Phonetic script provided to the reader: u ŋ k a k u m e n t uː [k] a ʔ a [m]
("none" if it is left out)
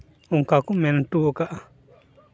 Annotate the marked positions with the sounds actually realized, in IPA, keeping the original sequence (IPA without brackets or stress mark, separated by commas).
k, none